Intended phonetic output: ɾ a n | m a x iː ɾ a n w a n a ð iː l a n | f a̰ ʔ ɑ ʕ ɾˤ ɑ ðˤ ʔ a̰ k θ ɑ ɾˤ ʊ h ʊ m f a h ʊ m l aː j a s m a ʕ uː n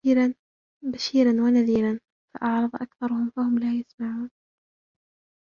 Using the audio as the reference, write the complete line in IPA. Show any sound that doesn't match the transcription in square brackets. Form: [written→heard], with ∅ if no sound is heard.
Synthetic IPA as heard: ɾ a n | [m→b] a [x→ʃ] iː ɾ a n w a n a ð iː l a n | f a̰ ʔ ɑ ʕ ɾˤ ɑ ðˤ ʔ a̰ k θ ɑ ɾˤ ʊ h ʊ m f a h ʊ m l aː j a s m a ʕ uː n

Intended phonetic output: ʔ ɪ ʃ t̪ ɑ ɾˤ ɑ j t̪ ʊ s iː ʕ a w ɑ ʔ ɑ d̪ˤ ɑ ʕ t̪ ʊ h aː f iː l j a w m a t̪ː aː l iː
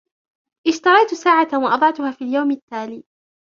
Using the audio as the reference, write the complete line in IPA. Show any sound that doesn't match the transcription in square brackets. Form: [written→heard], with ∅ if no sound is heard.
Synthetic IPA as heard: ʔ ɪ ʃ t̪ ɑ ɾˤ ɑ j t̪ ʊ s [iː→aː] ʕ a w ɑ ʔ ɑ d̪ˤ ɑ ʕ t̪ ʊ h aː f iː l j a w m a t̪ː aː l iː

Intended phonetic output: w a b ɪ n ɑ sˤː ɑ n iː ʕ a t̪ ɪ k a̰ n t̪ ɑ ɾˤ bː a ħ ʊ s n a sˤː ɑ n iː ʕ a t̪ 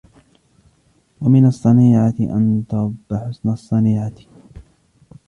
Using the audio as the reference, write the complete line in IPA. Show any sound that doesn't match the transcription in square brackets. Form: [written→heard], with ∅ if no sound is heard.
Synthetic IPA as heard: w a [b→m] ɪ n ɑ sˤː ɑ n iː ʕ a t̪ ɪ [k→ʔ] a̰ n t̪ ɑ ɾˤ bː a ħ ʊ s n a sˤː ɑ n iː ʕ a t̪

